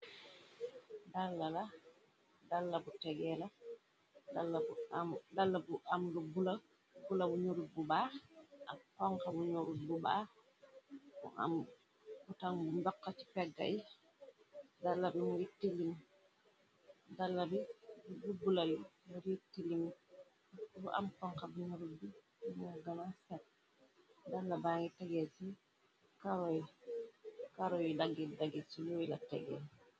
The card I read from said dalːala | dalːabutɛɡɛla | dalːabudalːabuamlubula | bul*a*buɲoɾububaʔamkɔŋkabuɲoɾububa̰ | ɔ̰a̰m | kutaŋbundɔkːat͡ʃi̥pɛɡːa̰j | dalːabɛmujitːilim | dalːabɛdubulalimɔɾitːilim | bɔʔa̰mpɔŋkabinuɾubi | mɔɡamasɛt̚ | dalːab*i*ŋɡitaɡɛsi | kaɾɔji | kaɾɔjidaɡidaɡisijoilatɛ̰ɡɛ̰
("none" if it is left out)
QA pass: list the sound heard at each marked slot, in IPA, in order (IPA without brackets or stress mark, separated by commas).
a, a